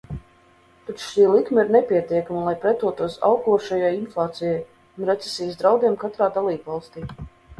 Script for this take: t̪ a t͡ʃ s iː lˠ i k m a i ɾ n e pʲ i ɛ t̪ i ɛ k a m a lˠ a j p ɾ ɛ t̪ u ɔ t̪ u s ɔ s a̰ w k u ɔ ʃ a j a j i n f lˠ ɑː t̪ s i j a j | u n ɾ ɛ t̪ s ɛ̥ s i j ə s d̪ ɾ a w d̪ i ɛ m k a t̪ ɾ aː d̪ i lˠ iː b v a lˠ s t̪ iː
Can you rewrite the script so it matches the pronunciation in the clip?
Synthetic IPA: t̪ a t͡ʃ ʃ iː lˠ i k m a i ɾ n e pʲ i ɛ t̪ i ɛ k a m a lˠ a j p ɾ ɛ t̪ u ɔ t̪ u ɔ s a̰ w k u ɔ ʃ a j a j i n f lˠ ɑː t̪ s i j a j | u n ɾ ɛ t̪ s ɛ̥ s i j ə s d̪ ɾ a w d̪ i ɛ m k a t̪ ɾ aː d̪ a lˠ iː b v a lˠ s t̪ iː